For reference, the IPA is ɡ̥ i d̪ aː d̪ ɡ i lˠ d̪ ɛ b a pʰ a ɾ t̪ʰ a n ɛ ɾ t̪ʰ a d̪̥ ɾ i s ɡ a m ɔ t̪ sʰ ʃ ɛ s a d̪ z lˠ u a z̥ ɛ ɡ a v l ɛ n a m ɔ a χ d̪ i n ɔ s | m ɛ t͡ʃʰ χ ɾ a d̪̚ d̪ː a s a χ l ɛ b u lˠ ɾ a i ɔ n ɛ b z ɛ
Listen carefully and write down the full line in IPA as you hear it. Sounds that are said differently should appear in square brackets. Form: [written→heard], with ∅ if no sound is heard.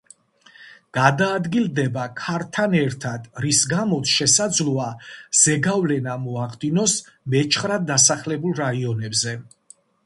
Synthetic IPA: ɡ̥ [i→a] d̪ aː d̪ ɡ i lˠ d̪ ɛ b a [pʰ→kʰ] a ɾ t̪ʰ a n ɛ ɾ t̪ʰ a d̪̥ ɾ i s ɡ a m ɔ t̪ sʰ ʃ ɛ s a d̪ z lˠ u a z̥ ɛ ɡ a v l ɛ n a m ɔ a χ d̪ i n ɔ s | m ɛ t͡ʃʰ χ ɾ a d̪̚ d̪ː a s a χ l ɛ b u lˠ ɾ a i ɔ n ɛ b z ɛ